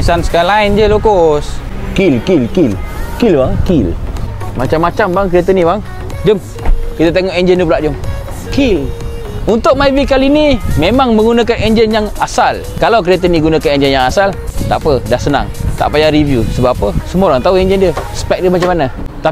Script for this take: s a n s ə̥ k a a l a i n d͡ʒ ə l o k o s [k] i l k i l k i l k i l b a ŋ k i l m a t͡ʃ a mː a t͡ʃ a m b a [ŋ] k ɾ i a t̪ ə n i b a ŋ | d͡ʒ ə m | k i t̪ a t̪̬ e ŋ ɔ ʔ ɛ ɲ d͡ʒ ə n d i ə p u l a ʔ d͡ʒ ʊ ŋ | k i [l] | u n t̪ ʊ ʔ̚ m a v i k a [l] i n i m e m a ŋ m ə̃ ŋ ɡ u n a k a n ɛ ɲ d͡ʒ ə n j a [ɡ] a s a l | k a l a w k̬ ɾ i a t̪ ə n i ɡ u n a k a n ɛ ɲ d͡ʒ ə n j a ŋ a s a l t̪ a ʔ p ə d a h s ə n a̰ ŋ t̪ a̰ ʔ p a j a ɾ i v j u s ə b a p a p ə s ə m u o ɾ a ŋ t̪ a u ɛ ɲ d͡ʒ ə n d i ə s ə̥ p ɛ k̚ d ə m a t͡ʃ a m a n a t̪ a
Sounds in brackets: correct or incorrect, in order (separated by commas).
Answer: correct, correct, correct, correct, incorrect